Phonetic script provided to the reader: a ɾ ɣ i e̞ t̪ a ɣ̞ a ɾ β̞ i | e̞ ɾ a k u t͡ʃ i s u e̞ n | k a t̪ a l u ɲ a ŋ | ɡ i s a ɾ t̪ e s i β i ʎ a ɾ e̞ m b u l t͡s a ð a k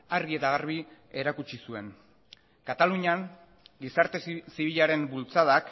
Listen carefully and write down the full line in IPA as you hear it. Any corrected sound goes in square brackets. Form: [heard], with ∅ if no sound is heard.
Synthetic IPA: a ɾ ɣ i e̞ t̪ a ɣ̞ a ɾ β̞ i | e̞ ɾ a k u t͡ʃ i s u e̞ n | k a t̪ a l u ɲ a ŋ | ɡ i s a ɾ t̪ e s i β i ʎ a ɾ e̞ m b u l t͡s a ð a k